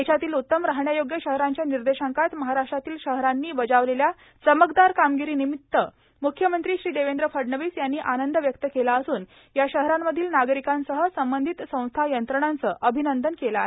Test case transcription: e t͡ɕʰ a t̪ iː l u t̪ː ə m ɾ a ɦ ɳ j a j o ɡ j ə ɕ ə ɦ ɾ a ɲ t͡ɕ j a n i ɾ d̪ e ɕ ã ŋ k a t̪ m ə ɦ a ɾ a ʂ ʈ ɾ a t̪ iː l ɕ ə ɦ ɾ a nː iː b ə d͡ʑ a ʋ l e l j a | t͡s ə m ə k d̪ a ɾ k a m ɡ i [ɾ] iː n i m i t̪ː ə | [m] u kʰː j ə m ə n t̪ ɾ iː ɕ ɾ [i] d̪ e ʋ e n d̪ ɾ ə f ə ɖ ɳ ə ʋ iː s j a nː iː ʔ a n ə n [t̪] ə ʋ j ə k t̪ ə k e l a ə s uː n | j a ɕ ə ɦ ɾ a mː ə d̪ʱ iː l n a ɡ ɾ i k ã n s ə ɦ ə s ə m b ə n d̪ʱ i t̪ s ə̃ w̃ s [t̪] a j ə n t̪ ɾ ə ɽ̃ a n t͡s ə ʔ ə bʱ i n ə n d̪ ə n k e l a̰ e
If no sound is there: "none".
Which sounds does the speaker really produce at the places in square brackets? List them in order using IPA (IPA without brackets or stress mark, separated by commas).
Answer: ɾ, m, iː, d̪, t̪ʰ